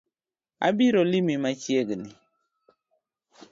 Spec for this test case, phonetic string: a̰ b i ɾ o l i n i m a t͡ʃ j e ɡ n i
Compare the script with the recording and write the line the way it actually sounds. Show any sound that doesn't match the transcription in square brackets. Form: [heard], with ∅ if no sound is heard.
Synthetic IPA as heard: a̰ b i ɾ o l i [m] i m a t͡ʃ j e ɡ n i